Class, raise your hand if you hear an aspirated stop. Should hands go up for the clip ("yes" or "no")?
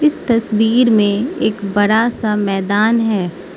no